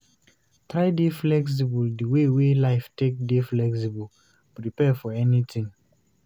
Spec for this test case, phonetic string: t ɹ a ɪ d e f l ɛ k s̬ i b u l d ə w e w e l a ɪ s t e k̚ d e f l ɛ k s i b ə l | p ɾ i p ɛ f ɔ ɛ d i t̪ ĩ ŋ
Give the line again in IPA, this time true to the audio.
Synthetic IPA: t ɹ a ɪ d e f l ɛ k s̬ i b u l d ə w e w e l a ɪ f t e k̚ d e f l ɛ k s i b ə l | p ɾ i p ɛ f ɔ ɛ n i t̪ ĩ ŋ